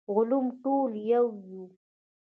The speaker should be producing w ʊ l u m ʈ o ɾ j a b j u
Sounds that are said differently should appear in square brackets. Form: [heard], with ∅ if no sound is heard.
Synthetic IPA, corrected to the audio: [ɣ] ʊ l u m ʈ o [l] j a [w] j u